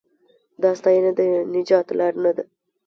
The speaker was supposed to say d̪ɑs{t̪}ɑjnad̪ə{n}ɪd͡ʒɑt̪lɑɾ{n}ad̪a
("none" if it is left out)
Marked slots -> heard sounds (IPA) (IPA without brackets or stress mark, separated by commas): t̪, n, n